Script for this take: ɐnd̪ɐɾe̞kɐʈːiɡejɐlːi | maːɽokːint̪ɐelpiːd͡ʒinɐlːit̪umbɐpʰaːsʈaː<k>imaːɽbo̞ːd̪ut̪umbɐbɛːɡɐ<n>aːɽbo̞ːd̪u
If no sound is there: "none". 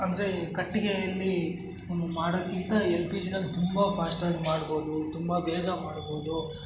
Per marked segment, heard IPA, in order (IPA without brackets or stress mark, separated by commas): ɡ, m